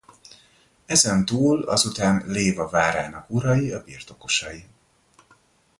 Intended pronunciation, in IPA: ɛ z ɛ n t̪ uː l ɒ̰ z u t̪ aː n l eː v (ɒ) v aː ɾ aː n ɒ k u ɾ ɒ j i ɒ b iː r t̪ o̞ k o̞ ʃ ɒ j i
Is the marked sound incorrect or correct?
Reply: correct